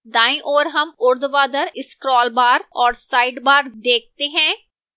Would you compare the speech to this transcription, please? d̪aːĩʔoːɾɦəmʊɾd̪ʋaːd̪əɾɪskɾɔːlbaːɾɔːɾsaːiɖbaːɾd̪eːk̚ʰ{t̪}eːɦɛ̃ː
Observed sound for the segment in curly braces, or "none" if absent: t̪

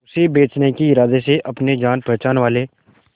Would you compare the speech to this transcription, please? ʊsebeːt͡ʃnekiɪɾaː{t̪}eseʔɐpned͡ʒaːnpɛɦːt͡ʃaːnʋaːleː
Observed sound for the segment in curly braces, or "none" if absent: d̪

